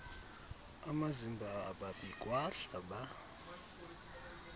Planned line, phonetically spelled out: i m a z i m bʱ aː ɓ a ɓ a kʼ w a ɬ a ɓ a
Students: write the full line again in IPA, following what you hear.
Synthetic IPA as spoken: a m a z i m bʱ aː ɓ a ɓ i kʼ w a ɬ a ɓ a

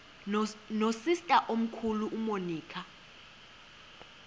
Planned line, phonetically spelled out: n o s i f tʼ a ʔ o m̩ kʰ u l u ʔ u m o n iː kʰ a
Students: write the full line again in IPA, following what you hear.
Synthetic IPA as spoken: n o s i s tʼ a ʔ o m̩ kʰ u l u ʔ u m o n iː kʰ a

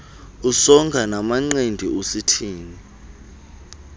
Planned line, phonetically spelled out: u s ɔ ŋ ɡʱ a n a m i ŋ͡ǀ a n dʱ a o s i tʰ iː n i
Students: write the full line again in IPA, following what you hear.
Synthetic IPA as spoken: u s ɔ ŋ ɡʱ a n a m a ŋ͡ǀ e n dʱ i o s i tʰ iː n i

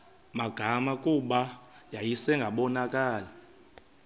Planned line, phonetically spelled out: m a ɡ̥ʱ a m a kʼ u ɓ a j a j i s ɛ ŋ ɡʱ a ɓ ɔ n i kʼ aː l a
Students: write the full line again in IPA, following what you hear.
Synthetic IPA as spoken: m a ɡ̥ʱ a m a kʼ u ɓ a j a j i s ɛ ŋ ɡʱ a ɓ ɔ n a kʼ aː l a

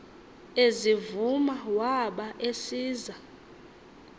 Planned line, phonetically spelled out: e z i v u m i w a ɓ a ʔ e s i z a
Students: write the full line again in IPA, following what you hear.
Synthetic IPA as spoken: e z i v u m a w a ɓ a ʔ e s iː z a

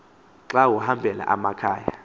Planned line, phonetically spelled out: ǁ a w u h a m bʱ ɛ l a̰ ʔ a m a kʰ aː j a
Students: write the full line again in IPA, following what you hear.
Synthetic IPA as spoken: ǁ a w u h a m bʱ ɛ l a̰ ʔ a m a kʰ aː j a

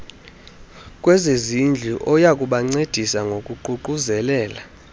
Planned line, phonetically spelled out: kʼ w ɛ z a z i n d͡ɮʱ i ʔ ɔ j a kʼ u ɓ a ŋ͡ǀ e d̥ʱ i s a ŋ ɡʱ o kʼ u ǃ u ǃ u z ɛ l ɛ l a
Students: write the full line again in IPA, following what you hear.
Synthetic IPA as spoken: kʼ w ɛ z e z i n d͡ɮʱ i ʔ ɔ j a kʼ u ɓ a ŋ͡ǀ e d̥ʱ i s a ŋ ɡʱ o kʼ u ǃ u ǃ u z ɛ l ɛː l a

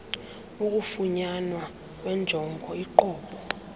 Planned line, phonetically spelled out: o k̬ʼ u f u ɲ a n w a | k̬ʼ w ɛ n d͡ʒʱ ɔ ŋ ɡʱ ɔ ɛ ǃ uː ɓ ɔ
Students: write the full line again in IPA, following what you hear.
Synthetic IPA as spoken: u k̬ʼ u f u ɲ a n w a | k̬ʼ w ɛ n d͡ʒʱ ɔ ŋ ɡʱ ɔ i ǃ ɔː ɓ ɔ

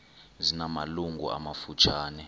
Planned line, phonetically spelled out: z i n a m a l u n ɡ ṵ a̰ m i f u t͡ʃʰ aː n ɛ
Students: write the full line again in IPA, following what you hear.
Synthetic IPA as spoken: z i n a m a l u ŋ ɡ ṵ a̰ m a f u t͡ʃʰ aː n ɛ

